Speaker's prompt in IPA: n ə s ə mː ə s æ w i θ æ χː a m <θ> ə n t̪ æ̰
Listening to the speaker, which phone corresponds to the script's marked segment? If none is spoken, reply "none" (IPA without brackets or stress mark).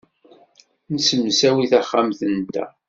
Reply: θ